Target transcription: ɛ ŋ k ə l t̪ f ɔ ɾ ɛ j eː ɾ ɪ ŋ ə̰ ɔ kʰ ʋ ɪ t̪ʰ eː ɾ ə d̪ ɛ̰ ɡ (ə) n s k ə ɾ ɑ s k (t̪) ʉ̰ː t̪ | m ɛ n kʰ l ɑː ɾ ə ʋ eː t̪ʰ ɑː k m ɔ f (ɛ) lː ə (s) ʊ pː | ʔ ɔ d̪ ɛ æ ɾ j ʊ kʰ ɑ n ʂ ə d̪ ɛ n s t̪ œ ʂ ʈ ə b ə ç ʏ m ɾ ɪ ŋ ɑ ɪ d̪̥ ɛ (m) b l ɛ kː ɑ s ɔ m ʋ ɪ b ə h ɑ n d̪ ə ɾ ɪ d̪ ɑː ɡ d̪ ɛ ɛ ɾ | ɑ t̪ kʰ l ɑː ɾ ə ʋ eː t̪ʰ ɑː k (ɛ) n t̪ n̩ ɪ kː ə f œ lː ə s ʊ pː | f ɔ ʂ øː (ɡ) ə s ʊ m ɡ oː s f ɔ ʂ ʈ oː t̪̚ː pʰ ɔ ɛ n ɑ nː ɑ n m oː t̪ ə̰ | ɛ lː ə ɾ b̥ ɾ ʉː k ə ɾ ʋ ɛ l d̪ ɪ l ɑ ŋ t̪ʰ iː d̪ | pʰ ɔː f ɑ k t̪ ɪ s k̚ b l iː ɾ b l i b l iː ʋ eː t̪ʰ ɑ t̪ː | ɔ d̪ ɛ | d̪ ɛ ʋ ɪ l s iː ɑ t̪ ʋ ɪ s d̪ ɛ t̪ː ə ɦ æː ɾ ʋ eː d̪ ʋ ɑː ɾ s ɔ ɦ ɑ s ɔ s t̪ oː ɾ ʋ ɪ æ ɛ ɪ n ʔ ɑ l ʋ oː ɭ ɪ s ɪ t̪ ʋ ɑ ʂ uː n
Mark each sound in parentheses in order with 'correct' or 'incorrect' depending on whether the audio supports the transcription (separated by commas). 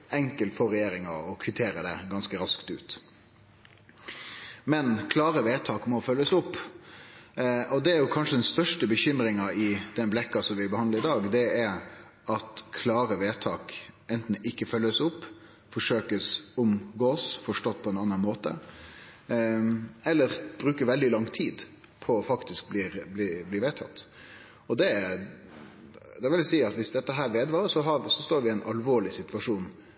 incorrect, correct, incorrect, correct, incorrect, correct, incorrect